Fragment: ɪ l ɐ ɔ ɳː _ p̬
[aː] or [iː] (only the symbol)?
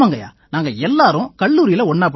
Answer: aː